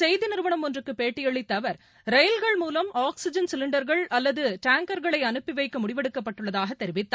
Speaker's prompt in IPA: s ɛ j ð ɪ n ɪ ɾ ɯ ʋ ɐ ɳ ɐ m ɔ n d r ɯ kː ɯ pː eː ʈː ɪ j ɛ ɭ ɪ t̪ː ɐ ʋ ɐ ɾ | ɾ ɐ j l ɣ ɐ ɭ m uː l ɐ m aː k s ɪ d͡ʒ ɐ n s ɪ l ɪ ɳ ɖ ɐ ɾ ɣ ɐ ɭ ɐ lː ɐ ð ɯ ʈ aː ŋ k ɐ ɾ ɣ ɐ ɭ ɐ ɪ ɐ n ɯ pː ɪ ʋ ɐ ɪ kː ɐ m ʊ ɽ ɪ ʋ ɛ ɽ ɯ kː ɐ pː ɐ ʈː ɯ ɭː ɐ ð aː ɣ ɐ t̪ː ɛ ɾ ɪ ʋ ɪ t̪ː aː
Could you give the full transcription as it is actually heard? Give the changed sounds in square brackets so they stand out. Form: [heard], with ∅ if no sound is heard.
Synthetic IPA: s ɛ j ð ɪ n ɪ ɾ ɯ ʋ ɐ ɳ ɐ m ɔ n d r ɯ kː ɯ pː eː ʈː ɪ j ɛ ɭ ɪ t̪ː ɐ ʋ ɐ ɾ | ɾ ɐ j l ɣ ɐ ɭ m uː l ɐ m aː k s ɪ d͡ʒ ɐ n s ɪ l ɪ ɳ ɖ ɐ ɾ ɣ ɐ ɭ ɐ lː ɐ ð ɯ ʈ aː ŋ k ɐ ɾ ɣ ɐ ɭ ɐ ɪ ɐ n ɯ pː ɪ ʋ ɐ ɪ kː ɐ m ʊ ɽ ɪ ʋ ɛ ɽ ɯ kː ɐ pː ɐ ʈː ɯ ɭː ɐ ð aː ɣ ɐ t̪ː ɛ ɾ ɪ ʋ ɪ t̪ː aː